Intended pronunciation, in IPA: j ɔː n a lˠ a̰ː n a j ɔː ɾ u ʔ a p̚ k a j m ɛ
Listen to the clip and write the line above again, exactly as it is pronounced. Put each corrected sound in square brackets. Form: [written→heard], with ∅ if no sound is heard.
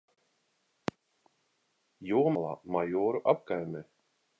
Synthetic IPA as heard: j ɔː [n→m] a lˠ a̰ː [n→m] a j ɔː ɾ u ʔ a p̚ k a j m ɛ